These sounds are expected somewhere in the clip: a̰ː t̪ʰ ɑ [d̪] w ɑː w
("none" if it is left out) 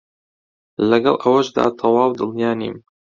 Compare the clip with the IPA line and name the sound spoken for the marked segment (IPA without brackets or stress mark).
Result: none